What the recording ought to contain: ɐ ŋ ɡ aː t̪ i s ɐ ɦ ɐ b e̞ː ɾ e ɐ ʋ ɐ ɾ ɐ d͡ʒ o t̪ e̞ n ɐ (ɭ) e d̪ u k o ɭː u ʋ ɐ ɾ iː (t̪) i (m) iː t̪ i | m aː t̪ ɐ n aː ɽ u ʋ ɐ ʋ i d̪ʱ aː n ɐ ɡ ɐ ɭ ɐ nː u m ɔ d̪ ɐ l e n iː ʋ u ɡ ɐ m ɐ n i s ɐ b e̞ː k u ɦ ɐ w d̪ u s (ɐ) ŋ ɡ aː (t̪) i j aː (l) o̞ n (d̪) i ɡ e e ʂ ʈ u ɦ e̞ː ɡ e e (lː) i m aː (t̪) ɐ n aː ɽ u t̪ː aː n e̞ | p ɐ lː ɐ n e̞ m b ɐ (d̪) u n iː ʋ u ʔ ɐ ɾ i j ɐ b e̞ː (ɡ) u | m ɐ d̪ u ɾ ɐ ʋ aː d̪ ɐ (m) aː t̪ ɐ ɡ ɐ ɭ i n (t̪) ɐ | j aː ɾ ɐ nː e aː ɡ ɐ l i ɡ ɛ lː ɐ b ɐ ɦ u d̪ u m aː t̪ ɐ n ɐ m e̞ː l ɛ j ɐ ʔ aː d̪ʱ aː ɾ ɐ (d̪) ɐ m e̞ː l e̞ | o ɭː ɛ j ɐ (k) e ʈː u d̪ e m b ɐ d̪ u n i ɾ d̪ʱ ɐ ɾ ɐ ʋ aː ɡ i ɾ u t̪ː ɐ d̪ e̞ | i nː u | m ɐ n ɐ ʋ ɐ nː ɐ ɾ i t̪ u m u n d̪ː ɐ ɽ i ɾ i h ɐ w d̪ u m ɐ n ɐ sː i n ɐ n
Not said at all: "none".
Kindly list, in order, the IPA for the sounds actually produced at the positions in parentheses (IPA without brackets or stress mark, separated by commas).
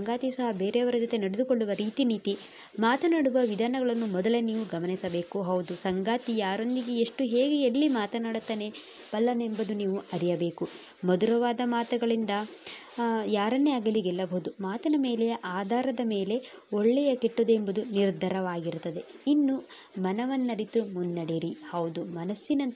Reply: ɽ, t̪, n, ɐ, t̪, ɾ, d̪, lː, t̪, d̪, k, m, d̪, d̪, k